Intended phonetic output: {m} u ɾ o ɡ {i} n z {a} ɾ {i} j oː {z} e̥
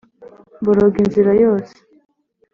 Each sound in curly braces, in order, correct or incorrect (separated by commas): incorrect, correct, incorrect, incorrect, incorrect